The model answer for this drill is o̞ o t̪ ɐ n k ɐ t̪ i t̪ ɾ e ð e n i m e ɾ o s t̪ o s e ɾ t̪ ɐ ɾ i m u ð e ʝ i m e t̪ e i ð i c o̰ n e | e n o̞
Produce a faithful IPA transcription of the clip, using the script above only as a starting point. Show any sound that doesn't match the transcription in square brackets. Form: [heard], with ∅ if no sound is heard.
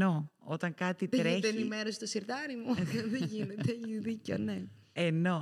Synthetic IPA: o̞ o t̪ ɐ [ŋ] k ɐ t̪ i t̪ ɾ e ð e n i m e ɾ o s t̪ o s [i] ɾ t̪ ɐ ɾ i m u ð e ʝ i [n] e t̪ e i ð i c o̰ n e | e n o̞